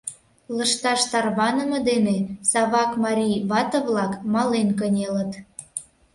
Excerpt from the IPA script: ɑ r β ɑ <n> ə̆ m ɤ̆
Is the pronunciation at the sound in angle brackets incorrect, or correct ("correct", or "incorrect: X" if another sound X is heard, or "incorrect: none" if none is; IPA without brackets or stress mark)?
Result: correct